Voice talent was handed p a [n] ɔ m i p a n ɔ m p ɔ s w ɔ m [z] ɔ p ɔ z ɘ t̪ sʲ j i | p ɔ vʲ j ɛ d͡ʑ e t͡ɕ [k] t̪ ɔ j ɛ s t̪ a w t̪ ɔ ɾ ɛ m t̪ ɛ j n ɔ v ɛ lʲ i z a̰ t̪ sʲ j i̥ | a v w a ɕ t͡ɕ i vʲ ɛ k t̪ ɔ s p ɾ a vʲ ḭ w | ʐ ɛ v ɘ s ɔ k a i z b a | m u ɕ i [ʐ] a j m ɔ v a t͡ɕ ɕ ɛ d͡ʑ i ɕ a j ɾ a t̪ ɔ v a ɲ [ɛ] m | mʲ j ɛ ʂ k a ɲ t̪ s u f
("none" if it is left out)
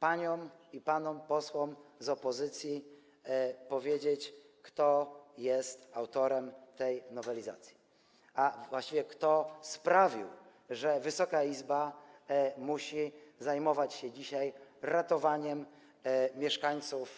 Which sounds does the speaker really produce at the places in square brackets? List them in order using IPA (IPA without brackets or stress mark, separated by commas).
ɲ, z, k, z, ɛ